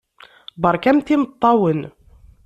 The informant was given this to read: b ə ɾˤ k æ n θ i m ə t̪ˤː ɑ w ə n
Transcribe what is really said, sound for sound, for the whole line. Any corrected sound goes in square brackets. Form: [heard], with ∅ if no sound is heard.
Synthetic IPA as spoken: b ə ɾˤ k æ [m] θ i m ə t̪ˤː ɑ w ə n

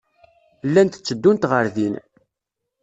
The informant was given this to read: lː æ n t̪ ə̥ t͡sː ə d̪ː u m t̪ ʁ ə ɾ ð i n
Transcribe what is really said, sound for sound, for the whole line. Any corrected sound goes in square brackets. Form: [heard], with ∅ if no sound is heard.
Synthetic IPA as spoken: lː æ n t̪ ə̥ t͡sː ə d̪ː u [n] t̪ ʁ ə ɾ ð i n

